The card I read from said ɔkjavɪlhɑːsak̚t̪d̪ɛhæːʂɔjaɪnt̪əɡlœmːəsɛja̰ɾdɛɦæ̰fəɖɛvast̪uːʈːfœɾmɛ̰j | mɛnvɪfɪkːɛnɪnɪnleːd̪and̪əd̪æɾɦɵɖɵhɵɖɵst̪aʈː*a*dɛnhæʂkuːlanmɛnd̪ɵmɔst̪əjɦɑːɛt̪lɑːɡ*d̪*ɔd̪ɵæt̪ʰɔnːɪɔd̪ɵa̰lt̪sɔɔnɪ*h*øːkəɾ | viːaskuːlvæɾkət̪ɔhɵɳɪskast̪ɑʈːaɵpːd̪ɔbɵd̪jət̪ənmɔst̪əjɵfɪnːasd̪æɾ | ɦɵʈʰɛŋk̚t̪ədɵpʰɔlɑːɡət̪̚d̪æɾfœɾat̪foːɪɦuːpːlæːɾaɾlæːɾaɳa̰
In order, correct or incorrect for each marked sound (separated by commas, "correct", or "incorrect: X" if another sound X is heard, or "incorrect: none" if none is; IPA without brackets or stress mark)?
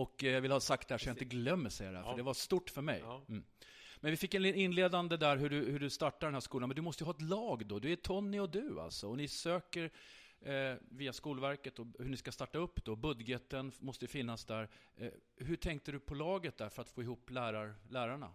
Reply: correct, correct, incorrect: s